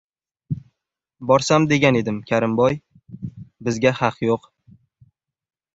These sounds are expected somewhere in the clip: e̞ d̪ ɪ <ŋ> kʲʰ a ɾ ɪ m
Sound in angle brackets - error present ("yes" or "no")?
yes